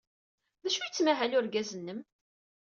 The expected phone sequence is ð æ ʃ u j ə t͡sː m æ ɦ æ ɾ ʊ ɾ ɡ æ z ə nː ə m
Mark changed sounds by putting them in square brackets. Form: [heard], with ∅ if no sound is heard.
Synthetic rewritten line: ð æ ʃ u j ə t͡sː m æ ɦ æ [l] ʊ ɾ ɡ æ z ə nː ə m